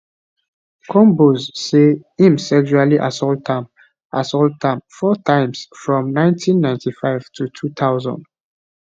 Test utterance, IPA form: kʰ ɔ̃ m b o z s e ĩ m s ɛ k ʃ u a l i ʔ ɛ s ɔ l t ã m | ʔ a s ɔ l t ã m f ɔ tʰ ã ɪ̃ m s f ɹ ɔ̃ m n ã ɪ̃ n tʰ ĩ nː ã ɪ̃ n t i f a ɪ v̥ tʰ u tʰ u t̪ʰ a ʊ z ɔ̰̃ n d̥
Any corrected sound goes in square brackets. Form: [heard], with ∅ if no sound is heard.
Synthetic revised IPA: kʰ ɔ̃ m b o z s e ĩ m s ɛ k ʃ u a l i ʔ [a] s ɔ l t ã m | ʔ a s ɔ l t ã m f ɔ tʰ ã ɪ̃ m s f ɹ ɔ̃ m n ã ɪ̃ n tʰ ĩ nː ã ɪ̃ n t i f a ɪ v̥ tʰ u tʰ u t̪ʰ a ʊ z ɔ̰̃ n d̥

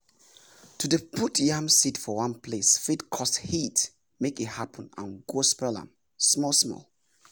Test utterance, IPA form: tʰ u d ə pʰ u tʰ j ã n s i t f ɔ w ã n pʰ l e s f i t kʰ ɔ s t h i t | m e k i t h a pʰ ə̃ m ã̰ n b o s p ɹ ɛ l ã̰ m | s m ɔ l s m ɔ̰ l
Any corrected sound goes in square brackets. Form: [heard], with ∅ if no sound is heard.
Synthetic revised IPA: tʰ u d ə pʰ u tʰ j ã [m] s i t f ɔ w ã n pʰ l e s f i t kʰ ɔ s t h i t | m e k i t h a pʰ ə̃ [n] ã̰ n [ɡ] o s p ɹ ɛ l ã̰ m | s m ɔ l s m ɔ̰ l

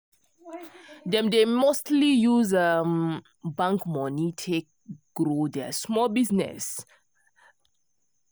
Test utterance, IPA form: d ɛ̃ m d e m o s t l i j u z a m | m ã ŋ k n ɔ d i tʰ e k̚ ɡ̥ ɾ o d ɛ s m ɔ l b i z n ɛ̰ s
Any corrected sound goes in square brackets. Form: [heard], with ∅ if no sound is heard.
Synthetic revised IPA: d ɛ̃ m d e m o s t l i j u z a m | [b] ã ŋ k [m] ɔ [n] i tʰ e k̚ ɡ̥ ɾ o d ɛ s m ɔ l b i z n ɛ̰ s

